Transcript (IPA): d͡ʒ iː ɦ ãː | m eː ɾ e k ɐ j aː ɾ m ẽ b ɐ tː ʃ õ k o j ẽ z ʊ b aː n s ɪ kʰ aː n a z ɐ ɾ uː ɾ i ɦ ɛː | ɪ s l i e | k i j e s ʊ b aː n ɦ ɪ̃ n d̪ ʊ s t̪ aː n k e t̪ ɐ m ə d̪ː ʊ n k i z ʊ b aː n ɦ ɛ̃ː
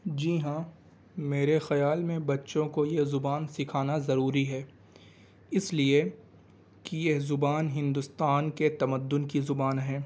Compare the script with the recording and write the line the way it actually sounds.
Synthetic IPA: d͡ʒ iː ɦ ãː | m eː ɾ e x ɐ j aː l m ẽ b ɐ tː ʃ õ k o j e z ʊ b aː n s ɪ kʰ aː n a z ɐ ɾ uː ɾ i ɦ ɛː | ɪ s l i e | k i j e z ʊ b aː n ɦ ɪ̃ n d̪ ʊ s t̪ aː n k e t̪ ɐ m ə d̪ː ʊ n k i z ʊ b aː n ɦ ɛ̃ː